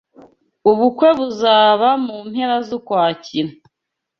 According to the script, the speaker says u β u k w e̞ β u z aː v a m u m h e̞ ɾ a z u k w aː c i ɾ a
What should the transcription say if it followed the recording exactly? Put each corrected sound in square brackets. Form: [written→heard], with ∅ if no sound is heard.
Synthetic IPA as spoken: u β u k w e̞ β u z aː [v→β] a m u m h e̞ ɾ a z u k w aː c i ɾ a